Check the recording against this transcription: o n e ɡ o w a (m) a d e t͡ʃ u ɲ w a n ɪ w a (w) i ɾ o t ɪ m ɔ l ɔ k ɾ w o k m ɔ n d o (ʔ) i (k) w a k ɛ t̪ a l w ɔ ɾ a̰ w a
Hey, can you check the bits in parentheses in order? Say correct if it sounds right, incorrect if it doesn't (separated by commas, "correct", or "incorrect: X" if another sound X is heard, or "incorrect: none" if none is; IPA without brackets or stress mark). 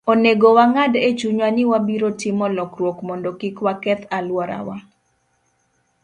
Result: incorrect: ŋ, incorrect: b, incorrect: k, correct